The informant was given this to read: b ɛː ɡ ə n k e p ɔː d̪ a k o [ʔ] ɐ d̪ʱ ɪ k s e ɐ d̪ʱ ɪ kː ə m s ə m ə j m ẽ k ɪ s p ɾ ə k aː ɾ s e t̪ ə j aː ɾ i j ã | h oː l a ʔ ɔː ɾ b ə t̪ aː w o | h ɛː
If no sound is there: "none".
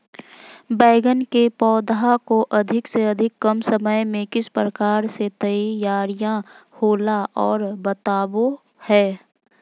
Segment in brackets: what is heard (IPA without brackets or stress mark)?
ʔ